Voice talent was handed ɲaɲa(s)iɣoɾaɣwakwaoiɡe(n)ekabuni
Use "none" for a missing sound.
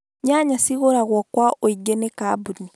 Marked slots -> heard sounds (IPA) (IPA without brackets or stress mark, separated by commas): s, n